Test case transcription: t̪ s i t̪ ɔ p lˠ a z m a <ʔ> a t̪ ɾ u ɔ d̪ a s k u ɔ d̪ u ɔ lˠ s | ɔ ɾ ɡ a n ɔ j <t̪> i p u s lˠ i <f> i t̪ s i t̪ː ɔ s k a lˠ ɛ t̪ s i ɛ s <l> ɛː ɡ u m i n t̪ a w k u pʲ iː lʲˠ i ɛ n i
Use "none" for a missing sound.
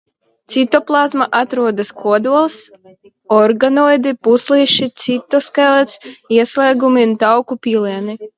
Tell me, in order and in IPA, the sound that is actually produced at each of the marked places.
ʔ, d̪, ʃ, l

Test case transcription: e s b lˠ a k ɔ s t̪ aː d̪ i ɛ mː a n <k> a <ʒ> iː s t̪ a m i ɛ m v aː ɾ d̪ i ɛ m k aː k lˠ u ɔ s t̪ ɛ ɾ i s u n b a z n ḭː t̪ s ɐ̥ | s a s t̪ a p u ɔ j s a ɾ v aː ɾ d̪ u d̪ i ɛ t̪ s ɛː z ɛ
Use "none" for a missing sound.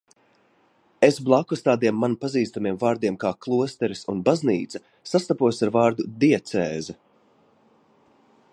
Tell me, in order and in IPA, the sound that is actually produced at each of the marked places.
p, z

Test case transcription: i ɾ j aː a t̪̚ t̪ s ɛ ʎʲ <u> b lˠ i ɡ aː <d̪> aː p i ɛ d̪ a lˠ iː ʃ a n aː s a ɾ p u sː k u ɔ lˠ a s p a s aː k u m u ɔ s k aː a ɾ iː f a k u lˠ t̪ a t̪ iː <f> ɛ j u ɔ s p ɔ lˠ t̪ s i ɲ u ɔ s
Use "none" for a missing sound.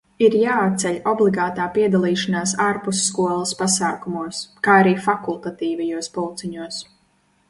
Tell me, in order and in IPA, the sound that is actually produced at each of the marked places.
ɔ, t̪, v

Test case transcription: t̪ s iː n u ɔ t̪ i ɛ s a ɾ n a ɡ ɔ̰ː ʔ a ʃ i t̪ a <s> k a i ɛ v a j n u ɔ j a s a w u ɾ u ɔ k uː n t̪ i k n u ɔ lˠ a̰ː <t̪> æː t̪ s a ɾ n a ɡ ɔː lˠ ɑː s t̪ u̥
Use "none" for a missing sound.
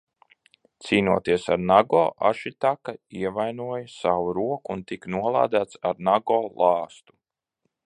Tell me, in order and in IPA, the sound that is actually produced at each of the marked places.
none, d̪

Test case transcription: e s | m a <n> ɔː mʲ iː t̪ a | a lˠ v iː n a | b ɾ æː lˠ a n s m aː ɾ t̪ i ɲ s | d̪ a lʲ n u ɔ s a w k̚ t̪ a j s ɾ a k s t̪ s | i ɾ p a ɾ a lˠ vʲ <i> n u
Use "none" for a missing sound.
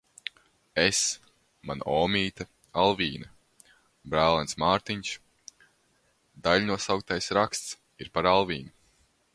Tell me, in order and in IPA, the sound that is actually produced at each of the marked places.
n, iː

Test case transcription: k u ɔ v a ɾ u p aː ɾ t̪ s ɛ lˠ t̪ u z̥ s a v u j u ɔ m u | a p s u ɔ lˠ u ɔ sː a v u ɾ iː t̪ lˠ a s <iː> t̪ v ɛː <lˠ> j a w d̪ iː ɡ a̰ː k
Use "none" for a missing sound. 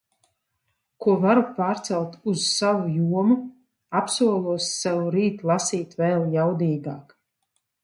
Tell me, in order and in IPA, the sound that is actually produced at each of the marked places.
iː, lˠ

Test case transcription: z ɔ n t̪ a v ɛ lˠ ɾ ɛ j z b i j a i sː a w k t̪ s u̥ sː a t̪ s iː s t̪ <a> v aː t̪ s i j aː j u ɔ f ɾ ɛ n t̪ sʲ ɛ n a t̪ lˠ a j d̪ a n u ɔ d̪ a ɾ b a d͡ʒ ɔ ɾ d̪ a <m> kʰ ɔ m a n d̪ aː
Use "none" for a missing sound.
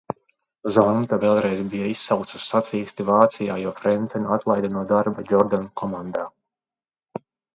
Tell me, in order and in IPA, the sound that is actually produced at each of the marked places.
i, n

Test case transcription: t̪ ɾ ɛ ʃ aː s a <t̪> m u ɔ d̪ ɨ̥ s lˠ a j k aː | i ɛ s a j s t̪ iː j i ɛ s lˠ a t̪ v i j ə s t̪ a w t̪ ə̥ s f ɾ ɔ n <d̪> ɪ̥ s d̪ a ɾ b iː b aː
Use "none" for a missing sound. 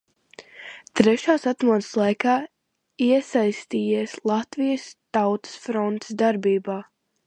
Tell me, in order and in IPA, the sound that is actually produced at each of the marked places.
t̪, t̪

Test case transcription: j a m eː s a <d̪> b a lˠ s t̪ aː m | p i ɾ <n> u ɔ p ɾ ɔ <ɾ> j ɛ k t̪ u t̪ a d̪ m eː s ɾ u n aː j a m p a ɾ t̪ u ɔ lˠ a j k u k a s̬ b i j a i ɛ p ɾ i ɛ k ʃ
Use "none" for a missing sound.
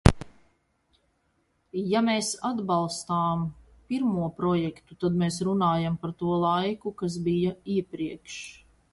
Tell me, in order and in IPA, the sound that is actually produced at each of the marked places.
d̪, m, none

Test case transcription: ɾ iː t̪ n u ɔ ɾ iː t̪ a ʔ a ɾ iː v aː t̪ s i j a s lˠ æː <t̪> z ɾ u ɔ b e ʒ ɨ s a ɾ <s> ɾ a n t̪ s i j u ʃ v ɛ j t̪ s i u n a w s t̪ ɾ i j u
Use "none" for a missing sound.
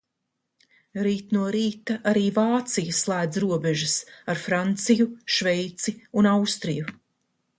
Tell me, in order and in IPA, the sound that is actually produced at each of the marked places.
d̪, f

